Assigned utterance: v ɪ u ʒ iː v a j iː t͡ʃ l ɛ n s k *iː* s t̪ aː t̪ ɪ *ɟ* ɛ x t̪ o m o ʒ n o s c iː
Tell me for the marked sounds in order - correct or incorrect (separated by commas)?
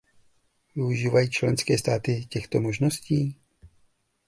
incorrect, incorrect